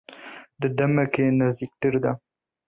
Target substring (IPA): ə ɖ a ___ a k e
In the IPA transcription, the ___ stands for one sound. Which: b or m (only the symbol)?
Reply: m